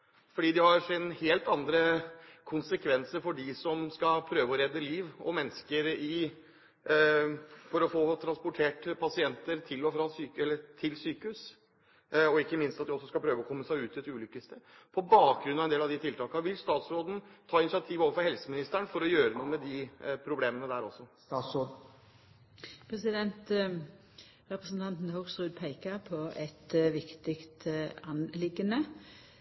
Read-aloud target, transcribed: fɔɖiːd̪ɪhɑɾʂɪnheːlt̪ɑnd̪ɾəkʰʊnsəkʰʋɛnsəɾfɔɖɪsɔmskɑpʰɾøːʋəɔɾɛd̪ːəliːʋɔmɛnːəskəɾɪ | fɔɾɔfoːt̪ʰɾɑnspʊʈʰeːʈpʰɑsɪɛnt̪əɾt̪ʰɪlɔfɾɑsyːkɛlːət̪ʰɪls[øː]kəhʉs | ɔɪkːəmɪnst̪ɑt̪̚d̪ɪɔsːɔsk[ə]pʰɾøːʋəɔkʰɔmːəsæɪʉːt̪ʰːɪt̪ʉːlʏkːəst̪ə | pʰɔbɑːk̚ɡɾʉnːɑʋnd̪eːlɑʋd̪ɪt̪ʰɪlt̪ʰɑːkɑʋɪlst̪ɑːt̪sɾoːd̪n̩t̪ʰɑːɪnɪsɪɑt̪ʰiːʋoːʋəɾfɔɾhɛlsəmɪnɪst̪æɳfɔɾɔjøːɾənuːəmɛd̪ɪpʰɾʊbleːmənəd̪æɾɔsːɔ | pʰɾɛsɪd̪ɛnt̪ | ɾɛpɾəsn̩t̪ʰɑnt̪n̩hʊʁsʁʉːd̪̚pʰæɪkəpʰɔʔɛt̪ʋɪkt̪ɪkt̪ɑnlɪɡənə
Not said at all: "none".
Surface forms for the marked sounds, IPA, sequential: yː, ɑ

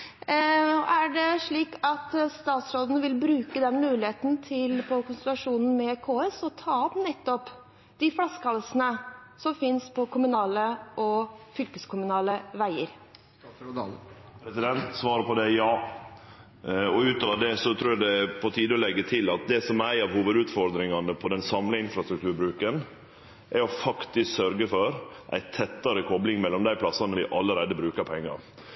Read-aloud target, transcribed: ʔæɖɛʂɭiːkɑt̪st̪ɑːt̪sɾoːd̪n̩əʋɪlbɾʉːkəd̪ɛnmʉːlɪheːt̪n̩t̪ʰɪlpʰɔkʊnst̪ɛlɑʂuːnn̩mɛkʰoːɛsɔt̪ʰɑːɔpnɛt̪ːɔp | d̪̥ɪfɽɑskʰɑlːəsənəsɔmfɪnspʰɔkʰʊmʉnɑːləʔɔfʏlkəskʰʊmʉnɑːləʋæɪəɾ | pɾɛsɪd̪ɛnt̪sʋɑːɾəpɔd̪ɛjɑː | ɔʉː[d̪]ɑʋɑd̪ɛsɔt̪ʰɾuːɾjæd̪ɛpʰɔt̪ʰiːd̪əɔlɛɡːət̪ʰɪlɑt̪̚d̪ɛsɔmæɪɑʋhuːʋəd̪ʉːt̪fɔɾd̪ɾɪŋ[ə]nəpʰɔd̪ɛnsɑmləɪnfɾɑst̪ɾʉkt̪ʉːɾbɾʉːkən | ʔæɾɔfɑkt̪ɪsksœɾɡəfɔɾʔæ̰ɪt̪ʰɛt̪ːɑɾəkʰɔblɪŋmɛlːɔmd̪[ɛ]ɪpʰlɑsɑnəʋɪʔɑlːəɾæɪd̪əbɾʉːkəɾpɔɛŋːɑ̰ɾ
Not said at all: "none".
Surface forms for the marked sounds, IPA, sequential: t̪, ɑ, æ

